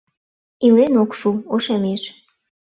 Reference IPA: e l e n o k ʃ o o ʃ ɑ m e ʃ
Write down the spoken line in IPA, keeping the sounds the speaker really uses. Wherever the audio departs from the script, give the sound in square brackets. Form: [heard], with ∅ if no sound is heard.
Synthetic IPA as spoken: [i] l e n o k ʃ [u] o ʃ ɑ m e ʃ